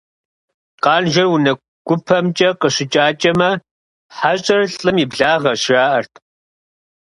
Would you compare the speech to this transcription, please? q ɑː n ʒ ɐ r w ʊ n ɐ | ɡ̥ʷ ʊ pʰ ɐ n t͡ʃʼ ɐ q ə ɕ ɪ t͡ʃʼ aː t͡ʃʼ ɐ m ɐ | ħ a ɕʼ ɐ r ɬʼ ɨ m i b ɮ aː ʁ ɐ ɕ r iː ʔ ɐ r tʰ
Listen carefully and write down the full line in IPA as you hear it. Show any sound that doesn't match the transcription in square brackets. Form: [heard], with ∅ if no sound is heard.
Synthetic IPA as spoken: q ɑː n ʒ ɐ r w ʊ n ɐ | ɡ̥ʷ ʊ pʰ ɐ [m] t͡ʃʼ ɐ q ə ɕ ɪ t͡ʃʼ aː t͡ʃʼ ɐ m ɐ | ħ a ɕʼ ɐ r ɬʼ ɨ m i b ɮ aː ʁ ɐ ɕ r [aː] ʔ ɐ r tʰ